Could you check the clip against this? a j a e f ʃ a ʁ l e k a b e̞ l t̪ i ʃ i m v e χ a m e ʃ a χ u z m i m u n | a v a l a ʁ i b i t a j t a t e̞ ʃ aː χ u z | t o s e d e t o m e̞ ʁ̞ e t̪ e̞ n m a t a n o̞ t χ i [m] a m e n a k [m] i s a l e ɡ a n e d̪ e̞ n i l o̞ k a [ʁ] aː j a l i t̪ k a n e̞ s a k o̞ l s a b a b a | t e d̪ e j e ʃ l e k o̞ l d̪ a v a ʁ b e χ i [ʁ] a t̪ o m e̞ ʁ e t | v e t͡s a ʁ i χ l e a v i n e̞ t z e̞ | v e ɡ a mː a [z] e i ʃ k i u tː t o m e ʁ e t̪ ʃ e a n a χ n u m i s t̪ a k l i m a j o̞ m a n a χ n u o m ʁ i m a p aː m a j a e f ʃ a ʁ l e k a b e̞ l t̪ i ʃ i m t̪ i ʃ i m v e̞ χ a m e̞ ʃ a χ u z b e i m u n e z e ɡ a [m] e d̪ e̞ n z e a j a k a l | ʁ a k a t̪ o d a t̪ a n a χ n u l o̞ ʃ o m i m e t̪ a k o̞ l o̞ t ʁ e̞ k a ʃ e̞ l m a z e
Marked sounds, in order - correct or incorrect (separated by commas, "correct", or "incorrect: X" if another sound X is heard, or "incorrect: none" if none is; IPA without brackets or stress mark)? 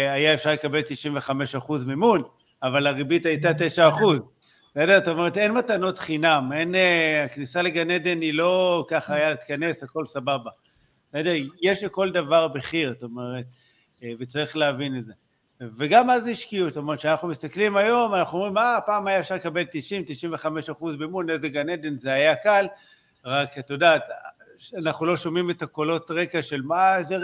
incorrect: n, incorrect: n, incorrect: χ, correct, correct, incorrect: n